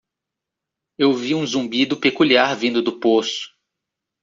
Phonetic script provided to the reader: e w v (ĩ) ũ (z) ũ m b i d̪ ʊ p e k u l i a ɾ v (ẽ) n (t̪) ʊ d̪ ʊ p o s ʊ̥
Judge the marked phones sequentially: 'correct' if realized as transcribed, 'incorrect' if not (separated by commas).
incorrect, correct, incorrect, incorrect